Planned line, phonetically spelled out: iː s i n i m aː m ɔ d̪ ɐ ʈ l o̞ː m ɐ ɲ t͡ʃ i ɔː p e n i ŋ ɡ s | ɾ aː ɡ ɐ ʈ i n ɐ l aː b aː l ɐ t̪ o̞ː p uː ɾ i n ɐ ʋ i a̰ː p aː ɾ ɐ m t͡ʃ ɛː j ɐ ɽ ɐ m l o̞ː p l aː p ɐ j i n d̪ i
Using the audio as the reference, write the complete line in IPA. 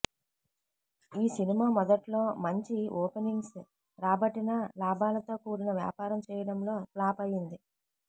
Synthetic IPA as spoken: iː s i n i m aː m ɔ d̪ ɐ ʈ l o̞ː m ɐ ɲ t͡ʃ i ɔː p e n i ŋ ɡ s | ɾ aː b ɐ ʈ i n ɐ l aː b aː l ɐ t̪ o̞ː k uː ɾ i n ɐ ʋ j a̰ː p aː ɾ ɐ m t͡ʃ ɛː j ɐ ɽ ɐ m l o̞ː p l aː p ɐ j i n d̪ i